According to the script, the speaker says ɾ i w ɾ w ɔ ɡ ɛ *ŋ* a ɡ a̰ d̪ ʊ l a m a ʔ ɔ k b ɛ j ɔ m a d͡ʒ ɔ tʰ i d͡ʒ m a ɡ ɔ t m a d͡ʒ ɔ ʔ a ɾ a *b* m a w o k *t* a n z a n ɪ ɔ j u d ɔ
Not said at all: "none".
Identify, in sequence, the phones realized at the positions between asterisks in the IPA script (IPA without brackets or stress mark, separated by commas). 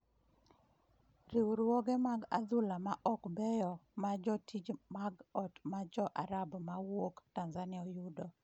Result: m, b, t